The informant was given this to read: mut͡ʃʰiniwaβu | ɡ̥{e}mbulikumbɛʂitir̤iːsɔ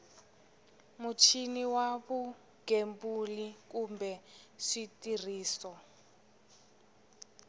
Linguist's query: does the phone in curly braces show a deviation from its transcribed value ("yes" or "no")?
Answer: no